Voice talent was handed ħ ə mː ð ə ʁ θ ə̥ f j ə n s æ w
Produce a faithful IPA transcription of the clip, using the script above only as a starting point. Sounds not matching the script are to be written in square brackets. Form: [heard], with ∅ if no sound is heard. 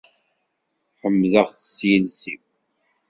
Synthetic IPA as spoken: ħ ə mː ð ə ʁ θ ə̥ [s] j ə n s [i] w

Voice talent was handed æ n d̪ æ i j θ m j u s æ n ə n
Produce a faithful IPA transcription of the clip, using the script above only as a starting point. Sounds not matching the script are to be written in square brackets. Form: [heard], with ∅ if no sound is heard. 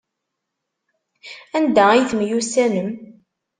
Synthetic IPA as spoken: æ n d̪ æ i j θ m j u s æ n ə [m]

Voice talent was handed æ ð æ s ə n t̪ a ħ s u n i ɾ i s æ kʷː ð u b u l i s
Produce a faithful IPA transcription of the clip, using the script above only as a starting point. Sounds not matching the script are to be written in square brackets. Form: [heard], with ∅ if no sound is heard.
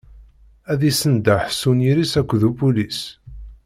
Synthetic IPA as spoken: æ ð [i] s ə n [d̪] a ħ s u n i ɾ i s æ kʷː ð u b u l i s

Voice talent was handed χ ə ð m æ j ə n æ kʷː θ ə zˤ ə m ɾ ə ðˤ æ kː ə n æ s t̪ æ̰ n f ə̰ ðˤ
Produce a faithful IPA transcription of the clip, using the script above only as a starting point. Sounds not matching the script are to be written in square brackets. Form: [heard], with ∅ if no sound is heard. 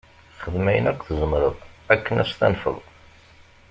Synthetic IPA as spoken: χ ə ð m æ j ə n æ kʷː θ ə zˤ ə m ɾ ə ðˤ æ kː ə n æ s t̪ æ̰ n f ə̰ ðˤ

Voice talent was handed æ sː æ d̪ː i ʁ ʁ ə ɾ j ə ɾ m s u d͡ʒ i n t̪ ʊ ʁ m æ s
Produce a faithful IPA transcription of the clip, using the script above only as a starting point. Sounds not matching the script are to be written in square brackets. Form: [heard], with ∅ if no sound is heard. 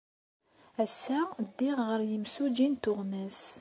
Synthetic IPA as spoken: æ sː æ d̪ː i ʁ ʁ ə ɾ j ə [∅] m s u d͡ʒ i n t̪ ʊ ʁ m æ s

